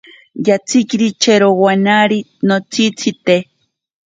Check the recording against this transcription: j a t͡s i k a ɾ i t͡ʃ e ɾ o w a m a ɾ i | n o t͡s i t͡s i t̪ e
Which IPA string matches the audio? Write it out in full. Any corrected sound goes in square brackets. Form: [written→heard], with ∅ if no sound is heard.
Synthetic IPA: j a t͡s i k [a→i] ɾ i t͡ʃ e ɾ o w a [m→n] a ɾ i | n o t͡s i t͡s i t̪ e